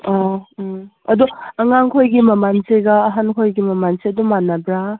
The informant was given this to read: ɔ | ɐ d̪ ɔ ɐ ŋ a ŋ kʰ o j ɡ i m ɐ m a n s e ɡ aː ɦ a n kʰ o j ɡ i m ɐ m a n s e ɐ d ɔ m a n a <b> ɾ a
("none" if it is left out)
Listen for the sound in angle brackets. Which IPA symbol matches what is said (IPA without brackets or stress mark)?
b